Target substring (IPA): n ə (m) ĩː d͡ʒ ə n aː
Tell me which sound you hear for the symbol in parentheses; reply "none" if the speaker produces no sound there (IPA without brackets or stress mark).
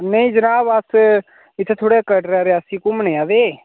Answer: none